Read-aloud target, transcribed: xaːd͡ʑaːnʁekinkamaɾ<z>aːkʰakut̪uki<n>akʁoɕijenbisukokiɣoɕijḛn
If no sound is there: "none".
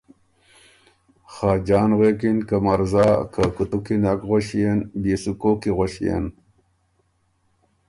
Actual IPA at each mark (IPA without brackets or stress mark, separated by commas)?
z, n